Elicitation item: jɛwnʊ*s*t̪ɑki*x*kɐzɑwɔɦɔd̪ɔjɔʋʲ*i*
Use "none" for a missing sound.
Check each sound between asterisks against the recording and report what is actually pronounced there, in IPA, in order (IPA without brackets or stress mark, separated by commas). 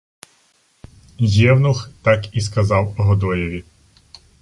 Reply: x, s, i